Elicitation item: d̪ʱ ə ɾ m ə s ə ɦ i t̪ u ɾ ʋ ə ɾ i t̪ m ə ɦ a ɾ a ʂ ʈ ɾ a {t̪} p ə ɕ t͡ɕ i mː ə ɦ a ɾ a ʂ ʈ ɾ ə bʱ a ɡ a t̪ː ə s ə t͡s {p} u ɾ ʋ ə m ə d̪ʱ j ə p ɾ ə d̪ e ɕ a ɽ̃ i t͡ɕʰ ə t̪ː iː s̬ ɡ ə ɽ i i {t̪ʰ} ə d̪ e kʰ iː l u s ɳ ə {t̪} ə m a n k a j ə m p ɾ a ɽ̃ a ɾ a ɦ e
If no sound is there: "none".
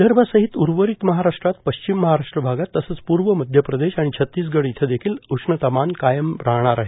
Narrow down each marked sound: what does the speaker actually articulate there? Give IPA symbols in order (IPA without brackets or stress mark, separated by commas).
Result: t̪, p, t̪ʰ, t̪